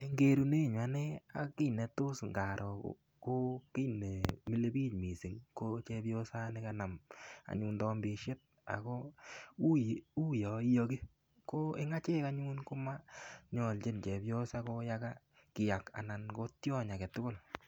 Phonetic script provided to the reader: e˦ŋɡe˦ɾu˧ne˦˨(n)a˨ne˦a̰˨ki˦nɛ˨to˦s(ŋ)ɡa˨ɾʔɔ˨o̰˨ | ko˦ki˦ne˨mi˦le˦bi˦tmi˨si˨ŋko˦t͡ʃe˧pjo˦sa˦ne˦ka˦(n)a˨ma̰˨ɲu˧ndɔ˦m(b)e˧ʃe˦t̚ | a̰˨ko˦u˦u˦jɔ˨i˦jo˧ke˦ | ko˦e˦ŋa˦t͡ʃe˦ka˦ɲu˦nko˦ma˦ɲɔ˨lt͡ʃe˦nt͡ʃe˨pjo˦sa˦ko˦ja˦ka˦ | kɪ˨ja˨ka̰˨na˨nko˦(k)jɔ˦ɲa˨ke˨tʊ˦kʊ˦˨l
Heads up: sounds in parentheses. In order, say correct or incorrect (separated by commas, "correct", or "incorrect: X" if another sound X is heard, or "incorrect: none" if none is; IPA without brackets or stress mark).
incorrect: ɲ, correct, correct, correct, incorrect: t